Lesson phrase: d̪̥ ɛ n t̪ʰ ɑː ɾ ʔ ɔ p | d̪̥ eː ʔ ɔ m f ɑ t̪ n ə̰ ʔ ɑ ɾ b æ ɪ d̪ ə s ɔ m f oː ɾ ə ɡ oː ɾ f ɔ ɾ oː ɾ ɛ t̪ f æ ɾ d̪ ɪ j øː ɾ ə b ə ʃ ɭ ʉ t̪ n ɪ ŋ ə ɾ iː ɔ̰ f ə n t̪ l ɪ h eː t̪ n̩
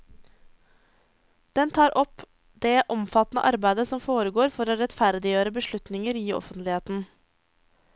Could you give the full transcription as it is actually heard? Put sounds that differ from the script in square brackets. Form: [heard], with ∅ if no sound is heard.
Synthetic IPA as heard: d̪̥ ɛ n t̪ʰ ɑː ɾ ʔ ɔ p | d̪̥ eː ʔ ɔ m f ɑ t̪ n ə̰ ʔ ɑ ɾ b æ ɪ d̪ ə s ɔ m f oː ɾ ə ɡ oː ɾ f ɔ ɾ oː ɾ ɛ t̪ f æ ɾ d̪ ɪ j øː ɾ ə b ə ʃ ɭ ʉ t̪ n ɪ ŋ ə ɾ iː ɔ̰ f ə n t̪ l ɪ h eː t̪ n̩